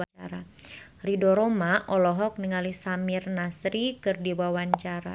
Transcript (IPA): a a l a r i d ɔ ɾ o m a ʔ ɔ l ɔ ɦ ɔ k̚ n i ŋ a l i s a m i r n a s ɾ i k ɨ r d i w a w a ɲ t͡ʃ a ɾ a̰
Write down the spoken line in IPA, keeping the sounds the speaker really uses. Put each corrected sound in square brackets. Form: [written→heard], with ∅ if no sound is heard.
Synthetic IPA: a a [l→ɾ] a r i d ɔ ɾ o m a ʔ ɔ l ɔ ɦ ɔ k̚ n i ŋ a l i s a m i r n a s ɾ i k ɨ r d i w a w a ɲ t͡ʃ a ɾ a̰

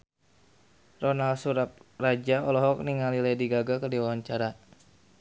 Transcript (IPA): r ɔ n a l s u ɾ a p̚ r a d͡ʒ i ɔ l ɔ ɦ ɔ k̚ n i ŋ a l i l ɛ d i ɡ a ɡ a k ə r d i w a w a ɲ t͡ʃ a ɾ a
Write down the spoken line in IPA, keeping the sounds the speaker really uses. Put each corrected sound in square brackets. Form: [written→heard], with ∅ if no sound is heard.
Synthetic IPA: r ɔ n a l s u ɾ a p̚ r a d͡ʒ [i→a] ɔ l ɔ ɦ ɔ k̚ n i ŋ a l i l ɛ d i ɡ a ɡ a k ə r d i w a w a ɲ t͡ʃ a ɾ a

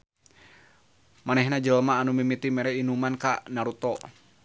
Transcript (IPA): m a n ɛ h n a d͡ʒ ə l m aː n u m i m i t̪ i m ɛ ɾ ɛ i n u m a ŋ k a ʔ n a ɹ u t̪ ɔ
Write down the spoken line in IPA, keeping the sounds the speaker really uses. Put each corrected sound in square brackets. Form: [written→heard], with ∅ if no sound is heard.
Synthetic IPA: m a n ɛ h n a d͡ʒ ə l m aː n u m i m i t̪ i m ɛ ɾ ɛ i n u m a [ŋ→n] k a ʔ n a [ɹ→ɾ] u t̪ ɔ

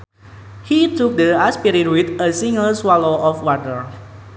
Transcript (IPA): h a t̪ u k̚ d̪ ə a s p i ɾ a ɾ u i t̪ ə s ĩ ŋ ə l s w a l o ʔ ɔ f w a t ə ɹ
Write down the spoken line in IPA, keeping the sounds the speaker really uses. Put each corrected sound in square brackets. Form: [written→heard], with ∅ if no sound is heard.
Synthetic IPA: h [a→i] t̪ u k̚ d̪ ə a s p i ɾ [a→i] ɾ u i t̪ ə s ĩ ŋ ə l s w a l o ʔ ɔ f w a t ə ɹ

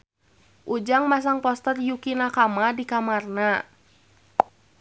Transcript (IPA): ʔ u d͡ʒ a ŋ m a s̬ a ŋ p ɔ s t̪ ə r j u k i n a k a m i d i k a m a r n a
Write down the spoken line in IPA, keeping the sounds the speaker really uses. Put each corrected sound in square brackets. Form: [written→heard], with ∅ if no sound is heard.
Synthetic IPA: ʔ u d͡ʒ a ŋ m a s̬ a ŋ p ɔ s t̪ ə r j u k i n a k a m [i→a] d i k a m a r n a

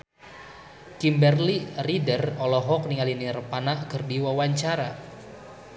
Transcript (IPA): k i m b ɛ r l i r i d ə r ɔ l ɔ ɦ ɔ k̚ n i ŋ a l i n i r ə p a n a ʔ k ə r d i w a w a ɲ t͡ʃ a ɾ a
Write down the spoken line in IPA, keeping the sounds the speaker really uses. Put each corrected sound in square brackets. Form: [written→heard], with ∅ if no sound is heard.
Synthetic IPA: k i m b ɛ r l i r i d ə r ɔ l ɔ ɦ ɔ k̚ n i ŋ a l i n i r ə p a n a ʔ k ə r d i w a w a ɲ t͡ʃ a ɾ a

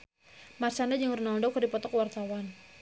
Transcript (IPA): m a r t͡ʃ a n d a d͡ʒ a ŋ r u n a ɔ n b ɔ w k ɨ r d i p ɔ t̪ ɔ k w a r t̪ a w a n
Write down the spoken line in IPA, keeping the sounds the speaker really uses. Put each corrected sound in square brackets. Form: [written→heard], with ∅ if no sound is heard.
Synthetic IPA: m a r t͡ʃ a n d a d͡ʒ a ŋ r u n a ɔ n [b→d] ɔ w k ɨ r d i p ɔ t̪ ɔ k w a r t̪ a w a n

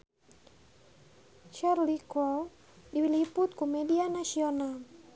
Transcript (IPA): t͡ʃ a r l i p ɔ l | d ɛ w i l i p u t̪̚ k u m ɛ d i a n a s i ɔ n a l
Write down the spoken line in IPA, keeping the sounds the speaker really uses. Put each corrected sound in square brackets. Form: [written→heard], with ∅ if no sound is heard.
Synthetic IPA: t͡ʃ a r l i [p→k] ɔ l | d [ɛ→i] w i l i p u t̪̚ k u m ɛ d i a n a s i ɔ n a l

